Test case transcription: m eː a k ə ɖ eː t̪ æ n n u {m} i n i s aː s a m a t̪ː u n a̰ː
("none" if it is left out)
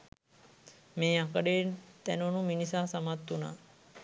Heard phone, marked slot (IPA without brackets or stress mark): m